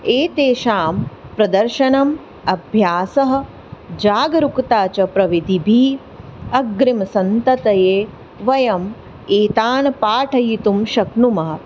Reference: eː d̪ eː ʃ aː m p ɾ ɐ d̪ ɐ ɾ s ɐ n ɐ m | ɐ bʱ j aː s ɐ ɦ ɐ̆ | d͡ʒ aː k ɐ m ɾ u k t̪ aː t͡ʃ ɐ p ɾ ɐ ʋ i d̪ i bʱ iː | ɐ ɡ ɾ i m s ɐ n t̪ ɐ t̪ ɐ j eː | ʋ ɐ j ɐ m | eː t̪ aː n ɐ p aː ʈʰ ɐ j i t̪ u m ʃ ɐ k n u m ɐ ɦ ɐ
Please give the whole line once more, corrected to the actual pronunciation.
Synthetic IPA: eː t̪ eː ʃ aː m p ɾ ɐ d̪ ɐ ɾ ʃ ɐ n ɐ m | ɐ bʱ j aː s ɐ ɦ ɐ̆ | d͡ʒ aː ɡ ɐ ɾ u k t̪ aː t͡ʃ ɐ p ɾ ɐ ʋ i d̪ i bʱ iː | ɐ ɡ ɾ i m s ɐ n t̪ ɐ t̪ ɐ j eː | ʋ ɐ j ɐ m | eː t̪ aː n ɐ p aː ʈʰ ɐ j i t̪ u m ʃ ɐ k n u m ɐ ɦ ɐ

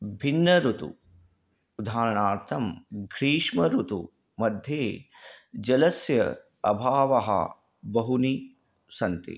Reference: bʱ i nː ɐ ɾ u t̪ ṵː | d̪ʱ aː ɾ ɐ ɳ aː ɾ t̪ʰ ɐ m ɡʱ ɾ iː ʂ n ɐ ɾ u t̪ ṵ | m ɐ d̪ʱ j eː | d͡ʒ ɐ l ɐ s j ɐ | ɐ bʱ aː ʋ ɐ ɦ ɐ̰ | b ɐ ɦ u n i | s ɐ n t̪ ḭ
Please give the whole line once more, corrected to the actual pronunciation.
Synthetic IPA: bʱ i nː ɐ ɾ u t̪ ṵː | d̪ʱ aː ɾ ɐ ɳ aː ɾ t̪ʰ ɐ m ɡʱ ɾ iː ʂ m ɐ ɾ u t̪ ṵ | m ɐ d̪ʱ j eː | d͡ʒ ɐ l ɐ s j ɐ | ɐ bʱ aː ʋ ɐ ɦ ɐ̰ | b ɐ ɦ u n i | s ɐ n t̪ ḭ

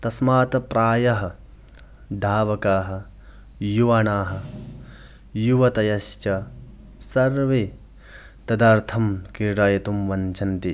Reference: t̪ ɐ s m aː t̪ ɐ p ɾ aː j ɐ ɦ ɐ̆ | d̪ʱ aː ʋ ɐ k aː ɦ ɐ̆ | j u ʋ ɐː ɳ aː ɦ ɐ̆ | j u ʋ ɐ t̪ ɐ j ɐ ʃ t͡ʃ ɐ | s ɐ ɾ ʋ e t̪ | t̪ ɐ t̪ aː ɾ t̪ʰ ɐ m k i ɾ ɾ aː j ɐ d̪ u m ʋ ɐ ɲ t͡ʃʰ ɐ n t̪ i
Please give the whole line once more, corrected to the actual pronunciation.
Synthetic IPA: t̪ ɐ s m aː t̪ ɐ p ɾ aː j ɐ ɦ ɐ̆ | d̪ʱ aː ʋ ɐ k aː ɦ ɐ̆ | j u ʋ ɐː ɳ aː ɦ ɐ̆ | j u ʋ ɐ t̪ ɐ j ɐ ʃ t͡ʃ ɐ | s ɐ ɾ ʋ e | t̪ ɐ d̪ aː ɾ t̪ʰ ɐ m k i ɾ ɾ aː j ɐ t̪ u m ʋ ɐ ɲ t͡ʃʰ ɐ n t̪ i

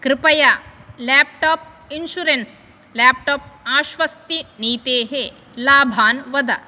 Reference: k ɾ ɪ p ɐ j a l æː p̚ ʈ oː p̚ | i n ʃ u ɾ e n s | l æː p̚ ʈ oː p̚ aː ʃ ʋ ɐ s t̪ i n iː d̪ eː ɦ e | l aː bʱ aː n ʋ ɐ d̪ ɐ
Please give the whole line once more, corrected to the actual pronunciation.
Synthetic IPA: k ɾ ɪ p ɐ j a l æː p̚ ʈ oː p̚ | i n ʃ u ɾ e n s | l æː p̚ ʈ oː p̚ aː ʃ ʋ ɐ s t̪ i n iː t̪ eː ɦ e | l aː bʱ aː n ʋ ɐ d̪ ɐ

